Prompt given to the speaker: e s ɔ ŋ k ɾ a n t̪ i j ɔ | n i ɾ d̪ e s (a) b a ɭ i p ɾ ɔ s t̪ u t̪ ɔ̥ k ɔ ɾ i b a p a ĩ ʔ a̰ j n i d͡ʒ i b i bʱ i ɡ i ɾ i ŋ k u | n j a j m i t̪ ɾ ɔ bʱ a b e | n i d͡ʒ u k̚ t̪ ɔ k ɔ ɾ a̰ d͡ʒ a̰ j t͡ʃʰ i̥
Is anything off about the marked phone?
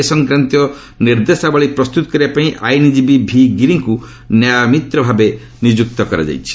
no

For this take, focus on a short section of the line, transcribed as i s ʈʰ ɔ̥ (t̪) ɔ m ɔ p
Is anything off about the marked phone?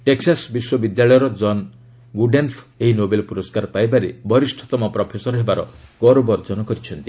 no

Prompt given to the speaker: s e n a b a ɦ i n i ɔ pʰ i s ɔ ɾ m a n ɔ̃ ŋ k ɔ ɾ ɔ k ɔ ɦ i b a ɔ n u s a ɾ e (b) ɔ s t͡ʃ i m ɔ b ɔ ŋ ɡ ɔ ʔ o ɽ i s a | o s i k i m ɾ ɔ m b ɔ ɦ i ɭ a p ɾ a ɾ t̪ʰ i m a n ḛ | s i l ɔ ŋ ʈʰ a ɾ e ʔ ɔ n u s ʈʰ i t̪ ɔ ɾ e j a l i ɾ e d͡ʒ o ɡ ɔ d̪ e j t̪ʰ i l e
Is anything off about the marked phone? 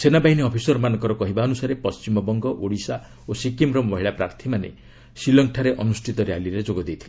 yes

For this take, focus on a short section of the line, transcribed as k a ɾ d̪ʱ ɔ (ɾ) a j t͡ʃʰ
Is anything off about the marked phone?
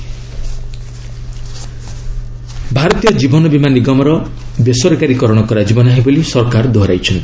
no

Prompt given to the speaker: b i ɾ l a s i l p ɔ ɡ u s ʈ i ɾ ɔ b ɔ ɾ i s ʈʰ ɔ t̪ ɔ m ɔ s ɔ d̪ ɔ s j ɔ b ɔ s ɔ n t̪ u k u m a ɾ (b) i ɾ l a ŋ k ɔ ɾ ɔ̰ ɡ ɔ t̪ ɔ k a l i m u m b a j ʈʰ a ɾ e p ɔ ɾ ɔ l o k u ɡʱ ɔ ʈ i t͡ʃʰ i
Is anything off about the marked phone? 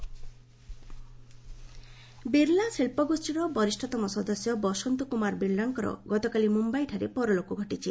no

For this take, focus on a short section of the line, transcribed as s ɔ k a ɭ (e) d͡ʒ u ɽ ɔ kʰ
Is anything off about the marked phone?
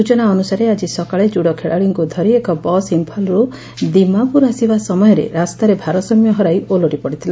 no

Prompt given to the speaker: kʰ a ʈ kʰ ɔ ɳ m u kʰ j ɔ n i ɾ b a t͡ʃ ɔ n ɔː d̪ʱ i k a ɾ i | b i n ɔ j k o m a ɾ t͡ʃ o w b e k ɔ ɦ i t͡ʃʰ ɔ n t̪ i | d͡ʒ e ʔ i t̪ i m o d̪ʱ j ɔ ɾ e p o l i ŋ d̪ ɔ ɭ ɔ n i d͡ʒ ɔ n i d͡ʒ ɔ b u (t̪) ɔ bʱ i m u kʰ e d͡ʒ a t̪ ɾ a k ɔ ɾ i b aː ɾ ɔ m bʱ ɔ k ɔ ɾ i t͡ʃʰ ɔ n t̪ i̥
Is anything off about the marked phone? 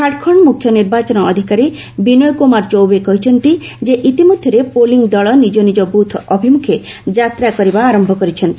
yes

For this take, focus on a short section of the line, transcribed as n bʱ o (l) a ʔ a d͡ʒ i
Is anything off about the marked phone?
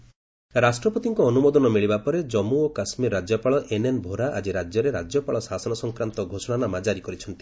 yes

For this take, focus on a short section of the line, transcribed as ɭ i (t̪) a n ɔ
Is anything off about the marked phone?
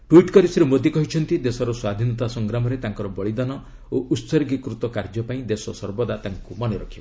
yes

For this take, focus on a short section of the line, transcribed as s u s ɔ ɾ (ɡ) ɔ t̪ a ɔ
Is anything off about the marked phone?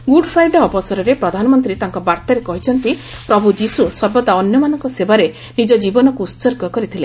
yes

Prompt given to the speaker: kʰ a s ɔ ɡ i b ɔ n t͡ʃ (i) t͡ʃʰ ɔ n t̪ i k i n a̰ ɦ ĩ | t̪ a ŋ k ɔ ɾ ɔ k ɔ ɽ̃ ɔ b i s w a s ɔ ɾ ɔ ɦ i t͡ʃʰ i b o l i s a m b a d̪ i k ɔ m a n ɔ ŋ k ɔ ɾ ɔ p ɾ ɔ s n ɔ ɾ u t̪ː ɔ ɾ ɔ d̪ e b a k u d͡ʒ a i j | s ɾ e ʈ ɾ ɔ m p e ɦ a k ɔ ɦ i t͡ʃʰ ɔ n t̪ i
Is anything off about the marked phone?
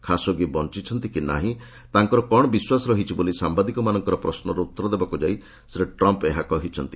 no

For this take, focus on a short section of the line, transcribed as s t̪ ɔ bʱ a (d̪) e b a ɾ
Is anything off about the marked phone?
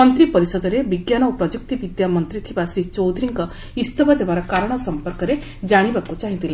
no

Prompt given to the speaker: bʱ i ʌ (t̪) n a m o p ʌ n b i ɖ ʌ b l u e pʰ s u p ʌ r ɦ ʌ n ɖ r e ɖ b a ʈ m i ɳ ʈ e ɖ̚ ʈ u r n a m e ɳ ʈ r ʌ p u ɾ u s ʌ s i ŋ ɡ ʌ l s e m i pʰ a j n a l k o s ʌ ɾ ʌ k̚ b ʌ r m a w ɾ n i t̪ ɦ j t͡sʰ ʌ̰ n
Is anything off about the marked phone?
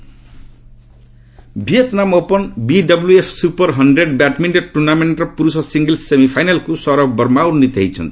no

